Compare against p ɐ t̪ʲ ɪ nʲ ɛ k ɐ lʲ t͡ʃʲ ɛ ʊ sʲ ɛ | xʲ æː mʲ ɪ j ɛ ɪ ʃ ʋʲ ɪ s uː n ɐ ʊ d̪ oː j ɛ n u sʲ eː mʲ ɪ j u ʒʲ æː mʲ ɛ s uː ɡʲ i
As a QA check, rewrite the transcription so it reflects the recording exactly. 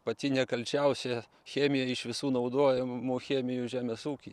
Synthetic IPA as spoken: p ɐ t̪ʲ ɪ nʲ ɛ k ɐ lʲ t͡ʃʲ ɛ ʊ sʲ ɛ | xʲ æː mʲ ɪ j ɛ ɪ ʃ ʋʲ ɪ s uː n ɐ ʊ d̪ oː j ɛ m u xʲ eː mʲ ɪ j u ʒʲ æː mʲ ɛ s uː kʲ i